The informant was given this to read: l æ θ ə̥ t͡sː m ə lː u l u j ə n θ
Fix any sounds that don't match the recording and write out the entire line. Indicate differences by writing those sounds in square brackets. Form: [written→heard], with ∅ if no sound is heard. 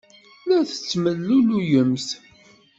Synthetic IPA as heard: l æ θ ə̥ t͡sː m ə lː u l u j ə [n→m] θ